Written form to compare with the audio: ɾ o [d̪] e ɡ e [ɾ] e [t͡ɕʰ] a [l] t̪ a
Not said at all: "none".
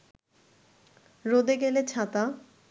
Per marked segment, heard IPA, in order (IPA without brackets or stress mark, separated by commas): d̪, l, t͡ɕʰ, none